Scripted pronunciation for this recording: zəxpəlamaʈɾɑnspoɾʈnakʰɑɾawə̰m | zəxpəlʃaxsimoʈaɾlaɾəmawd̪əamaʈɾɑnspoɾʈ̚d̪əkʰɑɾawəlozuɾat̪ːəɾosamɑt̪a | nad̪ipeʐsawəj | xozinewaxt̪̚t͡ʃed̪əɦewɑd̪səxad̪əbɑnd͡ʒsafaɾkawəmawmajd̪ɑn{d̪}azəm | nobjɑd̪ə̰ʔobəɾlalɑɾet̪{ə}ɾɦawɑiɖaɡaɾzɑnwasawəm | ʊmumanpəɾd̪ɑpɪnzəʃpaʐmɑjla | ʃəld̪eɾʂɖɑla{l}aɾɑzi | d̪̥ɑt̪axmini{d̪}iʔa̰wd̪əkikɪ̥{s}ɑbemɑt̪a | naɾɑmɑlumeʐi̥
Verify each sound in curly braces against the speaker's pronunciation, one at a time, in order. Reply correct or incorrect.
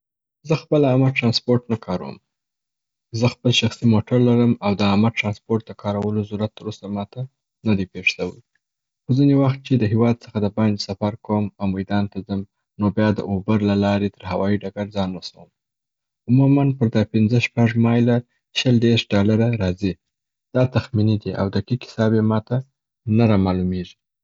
incorrect, correct, incorrect, correct, correct

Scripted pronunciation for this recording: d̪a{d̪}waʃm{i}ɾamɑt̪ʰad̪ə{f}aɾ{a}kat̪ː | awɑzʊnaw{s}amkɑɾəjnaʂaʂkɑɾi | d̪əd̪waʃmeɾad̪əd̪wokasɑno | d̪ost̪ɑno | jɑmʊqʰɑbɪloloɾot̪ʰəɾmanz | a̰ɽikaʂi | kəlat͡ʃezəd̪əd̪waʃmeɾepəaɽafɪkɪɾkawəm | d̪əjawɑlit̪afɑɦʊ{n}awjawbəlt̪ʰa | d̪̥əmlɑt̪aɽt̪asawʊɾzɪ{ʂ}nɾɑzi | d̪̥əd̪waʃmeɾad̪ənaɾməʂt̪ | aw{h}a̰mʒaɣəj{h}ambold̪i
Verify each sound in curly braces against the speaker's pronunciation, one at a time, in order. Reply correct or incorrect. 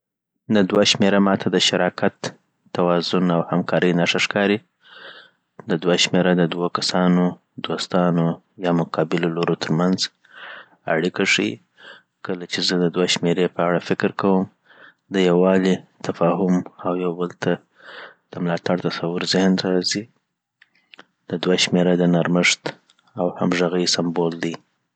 correct, incorrect, incorrect, incorrect, incorrect, incorrect, incorrect, correct, incorrect

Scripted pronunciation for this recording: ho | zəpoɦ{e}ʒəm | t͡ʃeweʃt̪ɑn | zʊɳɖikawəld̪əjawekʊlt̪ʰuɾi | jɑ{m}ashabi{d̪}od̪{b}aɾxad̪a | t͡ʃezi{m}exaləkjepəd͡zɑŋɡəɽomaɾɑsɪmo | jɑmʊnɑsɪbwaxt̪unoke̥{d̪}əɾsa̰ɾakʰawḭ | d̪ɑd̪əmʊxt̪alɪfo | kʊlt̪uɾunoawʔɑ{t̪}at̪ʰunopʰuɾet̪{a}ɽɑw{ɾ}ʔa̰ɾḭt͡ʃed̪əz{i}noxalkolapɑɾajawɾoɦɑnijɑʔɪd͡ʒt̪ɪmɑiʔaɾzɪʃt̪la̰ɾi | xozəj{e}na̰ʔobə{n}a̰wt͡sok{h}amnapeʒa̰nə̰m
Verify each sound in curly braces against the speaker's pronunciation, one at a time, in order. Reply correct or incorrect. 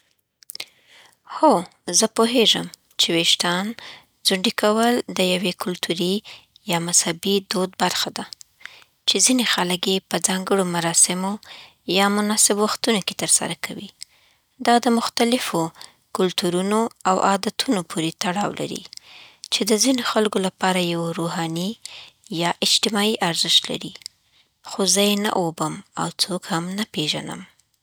correct, correct, correct, correct, incorrect, incorrect, incorrect, correct, incorrect, correct, correct, incorrect, correct

